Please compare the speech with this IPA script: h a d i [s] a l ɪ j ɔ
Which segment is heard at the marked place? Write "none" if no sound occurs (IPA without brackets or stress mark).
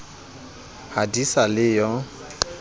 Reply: s